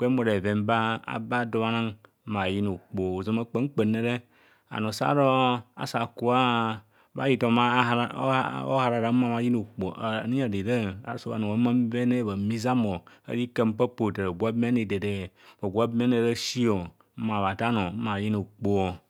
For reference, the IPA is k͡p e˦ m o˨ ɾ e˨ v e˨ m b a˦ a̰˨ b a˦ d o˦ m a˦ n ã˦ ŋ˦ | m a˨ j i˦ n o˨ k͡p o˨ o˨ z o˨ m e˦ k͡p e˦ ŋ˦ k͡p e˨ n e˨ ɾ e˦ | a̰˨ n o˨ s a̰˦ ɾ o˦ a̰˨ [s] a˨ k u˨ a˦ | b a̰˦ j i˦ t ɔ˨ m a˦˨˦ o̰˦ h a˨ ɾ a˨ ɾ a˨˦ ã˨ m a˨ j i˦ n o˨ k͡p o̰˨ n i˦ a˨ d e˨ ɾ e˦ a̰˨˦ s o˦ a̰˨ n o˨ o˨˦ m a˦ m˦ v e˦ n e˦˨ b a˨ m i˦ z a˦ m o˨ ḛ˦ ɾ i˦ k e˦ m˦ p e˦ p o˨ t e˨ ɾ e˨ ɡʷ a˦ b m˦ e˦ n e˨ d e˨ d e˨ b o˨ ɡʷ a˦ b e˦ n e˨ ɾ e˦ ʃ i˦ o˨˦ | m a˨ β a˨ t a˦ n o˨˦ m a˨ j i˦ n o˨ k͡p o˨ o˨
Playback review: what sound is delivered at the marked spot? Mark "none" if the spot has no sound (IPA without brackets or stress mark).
s